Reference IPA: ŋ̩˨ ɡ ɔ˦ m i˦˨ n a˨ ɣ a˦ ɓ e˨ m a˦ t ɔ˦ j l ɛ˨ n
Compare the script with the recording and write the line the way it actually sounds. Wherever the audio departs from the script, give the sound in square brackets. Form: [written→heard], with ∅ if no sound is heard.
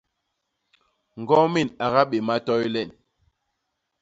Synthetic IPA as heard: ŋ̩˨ ɡ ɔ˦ m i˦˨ n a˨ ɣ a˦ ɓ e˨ m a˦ t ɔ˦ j l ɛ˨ n